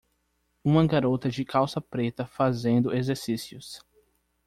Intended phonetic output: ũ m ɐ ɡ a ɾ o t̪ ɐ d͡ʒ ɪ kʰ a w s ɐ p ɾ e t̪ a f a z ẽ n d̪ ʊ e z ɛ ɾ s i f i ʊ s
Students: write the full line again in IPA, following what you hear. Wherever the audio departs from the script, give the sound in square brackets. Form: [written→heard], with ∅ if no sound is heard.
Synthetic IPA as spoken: ũ m ɐ ɡ a ɾ o t̪ ɐ d͡ʒ ɪ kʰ a w s ɐ p ɾ e t̪ [a→ɐ] f a z ẽ n d̪ ʊ e z [ɛ→e] ɾ s i [f→s] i ʊ s